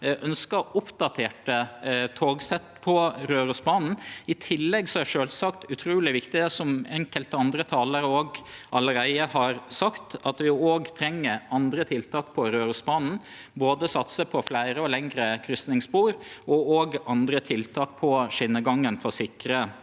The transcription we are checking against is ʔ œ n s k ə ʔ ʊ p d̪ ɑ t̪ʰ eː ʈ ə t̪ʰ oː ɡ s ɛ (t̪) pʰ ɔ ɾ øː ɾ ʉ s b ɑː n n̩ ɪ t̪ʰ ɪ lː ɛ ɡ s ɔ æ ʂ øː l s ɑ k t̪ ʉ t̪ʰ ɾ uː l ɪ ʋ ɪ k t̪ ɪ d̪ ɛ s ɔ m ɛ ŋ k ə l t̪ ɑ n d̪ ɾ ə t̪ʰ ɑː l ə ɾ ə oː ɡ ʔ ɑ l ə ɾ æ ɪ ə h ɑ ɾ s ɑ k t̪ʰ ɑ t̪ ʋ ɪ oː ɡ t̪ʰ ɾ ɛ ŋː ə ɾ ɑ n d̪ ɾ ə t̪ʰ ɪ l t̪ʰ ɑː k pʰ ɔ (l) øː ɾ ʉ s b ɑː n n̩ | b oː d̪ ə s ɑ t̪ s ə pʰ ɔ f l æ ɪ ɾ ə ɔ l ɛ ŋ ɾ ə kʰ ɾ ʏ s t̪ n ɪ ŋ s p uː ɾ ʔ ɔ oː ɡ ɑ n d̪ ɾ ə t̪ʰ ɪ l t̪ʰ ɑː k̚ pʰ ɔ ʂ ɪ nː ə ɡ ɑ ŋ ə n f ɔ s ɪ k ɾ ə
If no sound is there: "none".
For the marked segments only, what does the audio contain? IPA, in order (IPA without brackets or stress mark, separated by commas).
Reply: t̪, ɾ